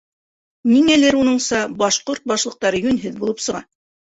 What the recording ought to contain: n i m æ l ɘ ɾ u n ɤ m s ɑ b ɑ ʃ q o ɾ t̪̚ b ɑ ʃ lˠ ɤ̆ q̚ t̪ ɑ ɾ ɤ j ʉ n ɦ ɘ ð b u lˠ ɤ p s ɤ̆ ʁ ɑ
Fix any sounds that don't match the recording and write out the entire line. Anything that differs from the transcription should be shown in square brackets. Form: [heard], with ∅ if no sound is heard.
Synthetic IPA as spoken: n i [ŋ] æ l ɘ ɾ u n ɤ [ɴ] s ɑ b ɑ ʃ q o ɾ t̪̚ b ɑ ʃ lˠ ɤ̆ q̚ t̪ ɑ ɾ ɤ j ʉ n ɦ ɘ ð b u lˠ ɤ p s ɤ̆ ʁ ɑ